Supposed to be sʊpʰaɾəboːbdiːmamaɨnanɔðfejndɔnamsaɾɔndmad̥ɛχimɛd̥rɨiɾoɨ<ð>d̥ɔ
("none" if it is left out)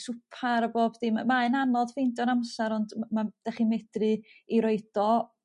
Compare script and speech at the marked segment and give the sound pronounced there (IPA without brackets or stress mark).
none